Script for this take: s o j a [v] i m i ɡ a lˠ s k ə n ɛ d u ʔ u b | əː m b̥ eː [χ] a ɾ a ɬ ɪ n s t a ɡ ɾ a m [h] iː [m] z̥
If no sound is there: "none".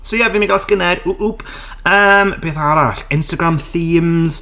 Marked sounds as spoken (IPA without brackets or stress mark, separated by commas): v, θ, θ, m